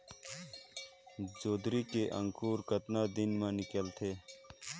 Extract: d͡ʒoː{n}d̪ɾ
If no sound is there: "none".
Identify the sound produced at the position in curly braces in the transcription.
none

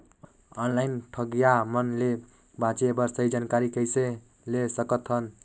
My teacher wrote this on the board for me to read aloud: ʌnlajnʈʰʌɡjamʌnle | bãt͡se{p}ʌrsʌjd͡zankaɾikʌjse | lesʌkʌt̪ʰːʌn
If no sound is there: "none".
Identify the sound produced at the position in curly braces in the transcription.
b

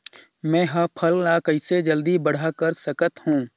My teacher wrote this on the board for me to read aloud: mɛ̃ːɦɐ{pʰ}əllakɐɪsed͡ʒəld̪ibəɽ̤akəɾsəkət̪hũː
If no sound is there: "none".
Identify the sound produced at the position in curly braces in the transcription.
pʰ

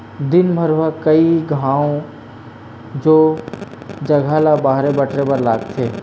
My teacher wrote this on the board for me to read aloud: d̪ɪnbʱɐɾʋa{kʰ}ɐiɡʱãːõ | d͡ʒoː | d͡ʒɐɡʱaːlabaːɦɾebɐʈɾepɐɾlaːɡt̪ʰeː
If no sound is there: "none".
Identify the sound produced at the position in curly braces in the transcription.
k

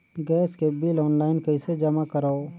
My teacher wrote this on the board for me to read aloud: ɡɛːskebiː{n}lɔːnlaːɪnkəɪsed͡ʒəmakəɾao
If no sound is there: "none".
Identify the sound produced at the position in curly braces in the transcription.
none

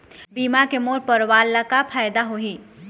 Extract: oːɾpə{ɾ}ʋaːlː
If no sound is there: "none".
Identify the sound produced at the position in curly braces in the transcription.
ɾ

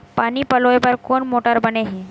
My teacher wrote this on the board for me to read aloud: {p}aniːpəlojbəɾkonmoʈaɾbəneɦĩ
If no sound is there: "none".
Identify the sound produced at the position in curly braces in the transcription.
p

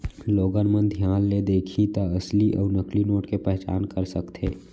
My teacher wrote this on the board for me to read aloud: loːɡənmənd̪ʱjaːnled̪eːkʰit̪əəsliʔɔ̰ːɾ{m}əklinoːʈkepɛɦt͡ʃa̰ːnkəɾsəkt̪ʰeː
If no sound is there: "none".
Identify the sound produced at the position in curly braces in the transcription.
n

